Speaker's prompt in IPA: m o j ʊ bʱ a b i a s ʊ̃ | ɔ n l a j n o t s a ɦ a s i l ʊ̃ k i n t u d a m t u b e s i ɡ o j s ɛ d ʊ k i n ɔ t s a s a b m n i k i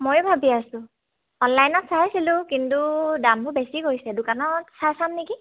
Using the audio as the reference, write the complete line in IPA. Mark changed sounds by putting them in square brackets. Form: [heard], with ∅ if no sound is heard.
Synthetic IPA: m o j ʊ bʱ a b i a s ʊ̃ | ɔ n l a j n [ɔ] t s a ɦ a s i l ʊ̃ k i n t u d a m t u b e s i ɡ o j s ɛ d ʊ k [a] n ɔ t s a s a [∅] m n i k i